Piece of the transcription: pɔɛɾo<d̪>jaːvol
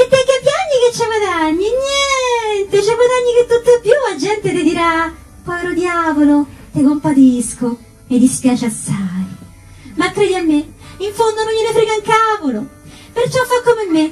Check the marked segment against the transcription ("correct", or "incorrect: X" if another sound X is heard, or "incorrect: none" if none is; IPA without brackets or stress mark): correct